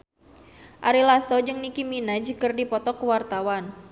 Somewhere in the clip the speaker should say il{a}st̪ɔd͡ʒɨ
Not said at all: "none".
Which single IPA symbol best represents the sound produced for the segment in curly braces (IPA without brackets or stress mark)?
a